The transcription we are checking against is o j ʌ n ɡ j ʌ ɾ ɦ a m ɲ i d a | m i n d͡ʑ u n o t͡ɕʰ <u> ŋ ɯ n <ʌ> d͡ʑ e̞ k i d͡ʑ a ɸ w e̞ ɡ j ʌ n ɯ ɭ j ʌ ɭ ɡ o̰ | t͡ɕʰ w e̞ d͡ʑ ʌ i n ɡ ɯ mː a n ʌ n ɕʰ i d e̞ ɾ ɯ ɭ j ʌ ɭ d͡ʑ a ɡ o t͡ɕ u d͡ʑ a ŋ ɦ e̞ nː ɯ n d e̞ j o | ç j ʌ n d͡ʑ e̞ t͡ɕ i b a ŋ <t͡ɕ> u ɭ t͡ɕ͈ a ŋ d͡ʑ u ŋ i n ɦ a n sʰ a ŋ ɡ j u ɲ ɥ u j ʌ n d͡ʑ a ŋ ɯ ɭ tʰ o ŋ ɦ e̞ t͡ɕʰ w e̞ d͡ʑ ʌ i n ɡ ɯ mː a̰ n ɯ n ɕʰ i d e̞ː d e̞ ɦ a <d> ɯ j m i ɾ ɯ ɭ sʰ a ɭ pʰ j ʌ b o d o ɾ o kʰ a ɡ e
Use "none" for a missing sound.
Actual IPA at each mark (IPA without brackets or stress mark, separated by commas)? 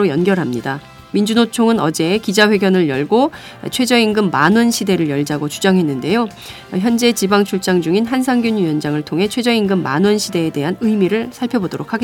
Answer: o, ʌ, t͡ɕʰ, n